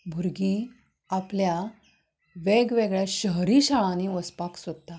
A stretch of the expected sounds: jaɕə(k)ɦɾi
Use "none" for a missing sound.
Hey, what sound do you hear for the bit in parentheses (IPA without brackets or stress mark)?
none